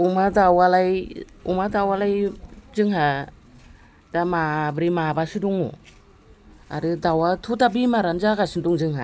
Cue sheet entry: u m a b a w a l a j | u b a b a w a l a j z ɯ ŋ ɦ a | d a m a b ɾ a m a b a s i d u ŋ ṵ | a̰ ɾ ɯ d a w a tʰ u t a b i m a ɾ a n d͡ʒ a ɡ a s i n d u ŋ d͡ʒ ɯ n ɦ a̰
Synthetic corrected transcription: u m a d a w a l a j | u m a d a w a l a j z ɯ ŋ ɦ a | d a m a b ɾ i m a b a s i d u ŋ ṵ | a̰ ɾ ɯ d a w a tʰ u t a b i m a ɾ a n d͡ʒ a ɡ a s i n d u ŋ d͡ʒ ɯ ŋ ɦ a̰